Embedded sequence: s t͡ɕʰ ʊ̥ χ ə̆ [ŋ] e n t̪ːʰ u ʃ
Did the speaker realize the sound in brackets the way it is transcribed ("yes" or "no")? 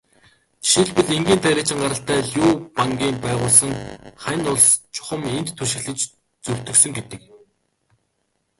no